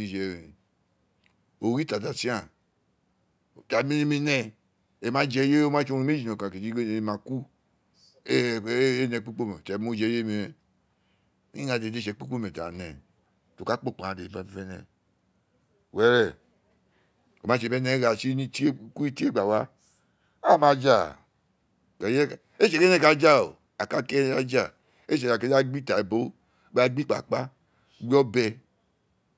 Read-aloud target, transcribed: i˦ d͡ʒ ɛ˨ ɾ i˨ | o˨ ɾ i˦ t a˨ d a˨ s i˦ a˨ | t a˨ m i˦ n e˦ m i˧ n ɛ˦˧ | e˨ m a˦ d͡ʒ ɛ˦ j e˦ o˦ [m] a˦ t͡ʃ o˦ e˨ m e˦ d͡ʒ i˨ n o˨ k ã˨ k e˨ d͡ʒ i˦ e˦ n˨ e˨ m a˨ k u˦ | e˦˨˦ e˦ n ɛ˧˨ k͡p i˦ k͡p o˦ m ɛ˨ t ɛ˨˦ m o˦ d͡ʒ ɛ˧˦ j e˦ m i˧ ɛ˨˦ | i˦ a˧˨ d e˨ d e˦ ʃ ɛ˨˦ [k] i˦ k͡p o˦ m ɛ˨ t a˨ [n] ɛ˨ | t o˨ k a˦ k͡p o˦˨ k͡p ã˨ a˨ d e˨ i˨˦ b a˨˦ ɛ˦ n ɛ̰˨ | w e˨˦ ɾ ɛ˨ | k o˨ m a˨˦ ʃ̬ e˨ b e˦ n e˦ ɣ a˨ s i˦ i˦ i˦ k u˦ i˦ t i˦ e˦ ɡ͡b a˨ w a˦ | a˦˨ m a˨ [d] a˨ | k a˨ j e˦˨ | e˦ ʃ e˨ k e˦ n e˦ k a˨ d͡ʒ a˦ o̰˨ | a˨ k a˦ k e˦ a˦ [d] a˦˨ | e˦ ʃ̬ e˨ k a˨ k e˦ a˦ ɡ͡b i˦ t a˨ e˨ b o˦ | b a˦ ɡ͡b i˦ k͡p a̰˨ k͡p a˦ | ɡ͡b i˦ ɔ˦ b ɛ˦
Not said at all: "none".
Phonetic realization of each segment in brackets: m, k͡p, n, d͡ʒ, d͡ʒ

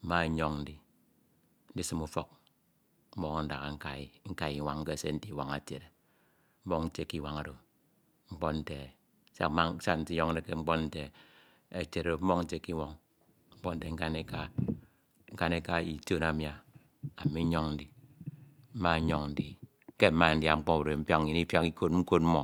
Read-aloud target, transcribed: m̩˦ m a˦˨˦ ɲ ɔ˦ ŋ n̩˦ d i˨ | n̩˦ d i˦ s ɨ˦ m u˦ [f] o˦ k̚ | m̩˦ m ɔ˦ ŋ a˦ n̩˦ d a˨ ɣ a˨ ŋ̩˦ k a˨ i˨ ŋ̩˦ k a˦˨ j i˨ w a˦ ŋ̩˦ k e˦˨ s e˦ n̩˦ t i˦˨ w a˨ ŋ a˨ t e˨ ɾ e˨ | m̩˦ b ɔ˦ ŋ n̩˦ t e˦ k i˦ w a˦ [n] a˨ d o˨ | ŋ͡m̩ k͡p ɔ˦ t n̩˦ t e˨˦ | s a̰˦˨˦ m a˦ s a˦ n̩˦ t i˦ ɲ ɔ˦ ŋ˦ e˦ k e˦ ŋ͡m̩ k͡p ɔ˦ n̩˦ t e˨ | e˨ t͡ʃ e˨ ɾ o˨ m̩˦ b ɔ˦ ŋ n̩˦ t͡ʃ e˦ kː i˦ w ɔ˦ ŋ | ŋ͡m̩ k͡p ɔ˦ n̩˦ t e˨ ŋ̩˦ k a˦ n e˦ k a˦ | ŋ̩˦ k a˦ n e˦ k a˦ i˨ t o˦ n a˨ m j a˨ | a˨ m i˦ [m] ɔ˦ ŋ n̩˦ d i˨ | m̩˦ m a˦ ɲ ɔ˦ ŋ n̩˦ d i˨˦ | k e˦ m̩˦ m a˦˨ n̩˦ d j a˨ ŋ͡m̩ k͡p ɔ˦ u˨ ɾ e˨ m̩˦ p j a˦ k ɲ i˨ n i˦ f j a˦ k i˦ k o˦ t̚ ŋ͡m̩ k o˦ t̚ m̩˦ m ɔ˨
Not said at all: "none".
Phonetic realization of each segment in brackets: f, ŋ, ɲ

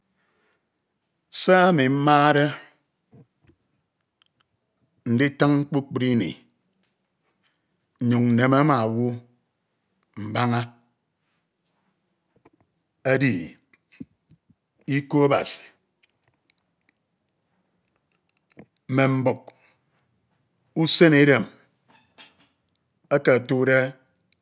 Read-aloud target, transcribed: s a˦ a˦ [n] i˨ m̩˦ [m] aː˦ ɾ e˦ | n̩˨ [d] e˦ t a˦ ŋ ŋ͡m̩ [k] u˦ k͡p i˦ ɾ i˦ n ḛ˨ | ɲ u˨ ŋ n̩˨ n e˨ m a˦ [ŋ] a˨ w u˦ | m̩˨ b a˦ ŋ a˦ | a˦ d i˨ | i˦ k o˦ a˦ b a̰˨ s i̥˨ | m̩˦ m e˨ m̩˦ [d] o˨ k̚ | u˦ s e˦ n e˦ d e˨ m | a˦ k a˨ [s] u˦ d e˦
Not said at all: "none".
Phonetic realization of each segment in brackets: m, m, d, k͡p, m, b, t

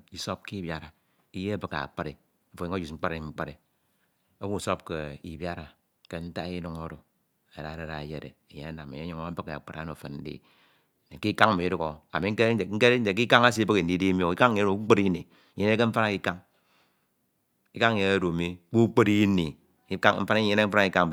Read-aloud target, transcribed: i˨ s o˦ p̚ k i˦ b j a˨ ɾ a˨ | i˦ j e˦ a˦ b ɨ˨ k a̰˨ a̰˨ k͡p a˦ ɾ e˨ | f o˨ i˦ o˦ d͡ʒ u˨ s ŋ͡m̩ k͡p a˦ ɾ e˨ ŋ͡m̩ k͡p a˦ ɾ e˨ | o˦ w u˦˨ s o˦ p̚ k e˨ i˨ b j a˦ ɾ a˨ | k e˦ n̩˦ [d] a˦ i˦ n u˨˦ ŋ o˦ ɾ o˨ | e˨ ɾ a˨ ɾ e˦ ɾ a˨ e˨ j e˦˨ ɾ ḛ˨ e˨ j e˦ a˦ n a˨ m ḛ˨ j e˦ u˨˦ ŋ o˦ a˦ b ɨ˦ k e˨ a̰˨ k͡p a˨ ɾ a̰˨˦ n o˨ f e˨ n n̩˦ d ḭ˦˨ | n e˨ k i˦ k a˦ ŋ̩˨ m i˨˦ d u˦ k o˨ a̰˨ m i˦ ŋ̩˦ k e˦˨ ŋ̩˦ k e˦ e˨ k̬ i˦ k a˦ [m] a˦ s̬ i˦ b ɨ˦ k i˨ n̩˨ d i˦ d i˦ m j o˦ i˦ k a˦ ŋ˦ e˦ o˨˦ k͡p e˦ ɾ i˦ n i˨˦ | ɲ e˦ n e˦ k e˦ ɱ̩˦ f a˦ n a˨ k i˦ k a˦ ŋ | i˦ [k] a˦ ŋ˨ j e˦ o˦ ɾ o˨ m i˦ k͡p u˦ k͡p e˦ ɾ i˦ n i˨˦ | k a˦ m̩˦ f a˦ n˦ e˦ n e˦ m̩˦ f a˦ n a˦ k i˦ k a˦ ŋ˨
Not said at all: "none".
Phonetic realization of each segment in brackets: t, ŋ, k

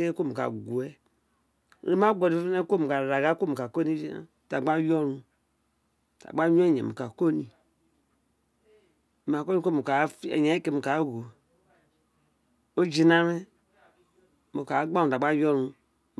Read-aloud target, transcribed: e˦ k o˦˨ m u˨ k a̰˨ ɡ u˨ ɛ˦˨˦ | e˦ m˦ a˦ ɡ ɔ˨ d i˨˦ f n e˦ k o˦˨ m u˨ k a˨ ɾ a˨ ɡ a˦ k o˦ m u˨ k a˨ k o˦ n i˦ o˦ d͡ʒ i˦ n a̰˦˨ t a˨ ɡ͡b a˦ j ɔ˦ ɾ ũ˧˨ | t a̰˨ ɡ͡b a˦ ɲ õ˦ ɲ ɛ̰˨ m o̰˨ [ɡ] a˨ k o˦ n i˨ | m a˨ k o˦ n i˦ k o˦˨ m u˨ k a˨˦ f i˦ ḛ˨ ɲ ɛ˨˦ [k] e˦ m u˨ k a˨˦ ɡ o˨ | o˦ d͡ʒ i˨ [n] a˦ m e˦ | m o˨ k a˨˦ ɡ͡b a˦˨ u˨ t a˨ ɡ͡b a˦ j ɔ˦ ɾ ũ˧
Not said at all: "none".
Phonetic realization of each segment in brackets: k, k, n

